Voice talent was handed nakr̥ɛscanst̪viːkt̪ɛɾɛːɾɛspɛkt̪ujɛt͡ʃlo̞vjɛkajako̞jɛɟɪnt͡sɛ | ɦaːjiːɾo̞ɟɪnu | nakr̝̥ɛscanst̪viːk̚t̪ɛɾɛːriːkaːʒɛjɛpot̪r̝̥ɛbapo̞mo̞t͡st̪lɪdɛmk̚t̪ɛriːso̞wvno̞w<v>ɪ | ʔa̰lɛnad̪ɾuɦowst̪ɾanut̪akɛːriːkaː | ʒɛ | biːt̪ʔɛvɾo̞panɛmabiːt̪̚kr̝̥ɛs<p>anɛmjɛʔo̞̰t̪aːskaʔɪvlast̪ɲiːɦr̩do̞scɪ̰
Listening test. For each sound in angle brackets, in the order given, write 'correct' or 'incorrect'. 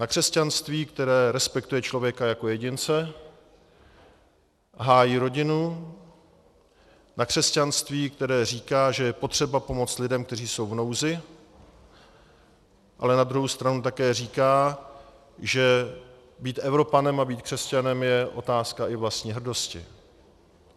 incorrect: z, incorrect: c

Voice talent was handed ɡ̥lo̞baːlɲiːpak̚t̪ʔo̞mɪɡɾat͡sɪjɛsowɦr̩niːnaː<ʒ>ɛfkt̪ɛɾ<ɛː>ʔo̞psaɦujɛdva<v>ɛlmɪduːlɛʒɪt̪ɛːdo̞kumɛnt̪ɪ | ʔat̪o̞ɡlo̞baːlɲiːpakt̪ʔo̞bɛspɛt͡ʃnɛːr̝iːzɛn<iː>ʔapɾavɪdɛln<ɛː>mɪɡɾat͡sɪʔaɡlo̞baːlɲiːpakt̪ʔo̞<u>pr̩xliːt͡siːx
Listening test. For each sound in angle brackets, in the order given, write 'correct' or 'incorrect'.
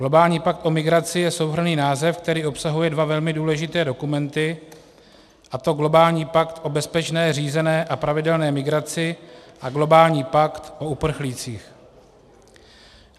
incorrect: z, incorrect: iː, correct, incorrect: ɛː, correct, correct

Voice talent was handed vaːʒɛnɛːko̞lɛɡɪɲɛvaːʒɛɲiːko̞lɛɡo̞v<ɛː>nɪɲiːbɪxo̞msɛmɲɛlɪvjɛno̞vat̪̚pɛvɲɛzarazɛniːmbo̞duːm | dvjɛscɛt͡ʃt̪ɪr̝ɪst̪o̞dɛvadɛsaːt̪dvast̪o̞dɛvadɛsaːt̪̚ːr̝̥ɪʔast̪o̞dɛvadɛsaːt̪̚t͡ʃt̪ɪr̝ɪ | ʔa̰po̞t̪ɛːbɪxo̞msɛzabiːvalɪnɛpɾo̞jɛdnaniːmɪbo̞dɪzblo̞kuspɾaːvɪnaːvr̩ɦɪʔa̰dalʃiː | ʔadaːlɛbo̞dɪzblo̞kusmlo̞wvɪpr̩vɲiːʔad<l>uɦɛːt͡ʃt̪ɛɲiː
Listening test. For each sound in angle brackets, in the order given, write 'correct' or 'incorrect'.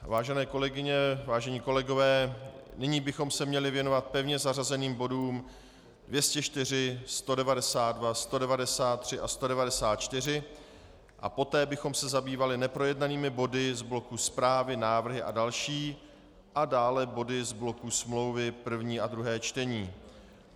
correct, incorrect: ɾ

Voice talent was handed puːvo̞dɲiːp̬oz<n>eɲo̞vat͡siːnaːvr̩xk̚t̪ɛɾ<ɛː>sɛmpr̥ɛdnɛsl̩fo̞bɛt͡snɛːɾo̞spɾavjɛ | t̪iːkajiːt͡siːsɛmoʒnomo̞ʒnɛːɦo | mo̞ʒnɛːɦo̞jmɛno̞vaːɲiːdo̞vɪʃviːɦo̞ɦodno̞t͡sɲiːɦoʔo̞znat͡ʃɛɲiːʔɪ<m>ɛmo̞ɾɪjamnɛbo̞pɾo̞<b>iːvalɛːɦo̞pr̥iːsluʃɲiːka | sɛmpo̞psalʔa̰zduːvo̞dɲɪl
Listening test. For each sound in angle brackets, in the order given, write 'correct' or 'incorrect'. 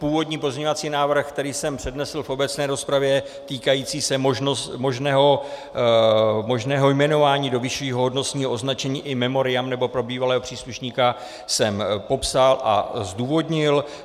incorrect: ɲ, incorrect: iː, correct, correct

